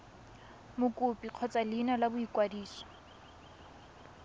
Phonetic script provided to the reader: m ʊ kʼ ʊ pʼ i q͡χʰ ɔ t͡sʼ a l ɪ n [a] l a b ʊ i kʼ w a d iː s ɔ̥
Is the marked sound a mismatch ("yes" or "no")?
no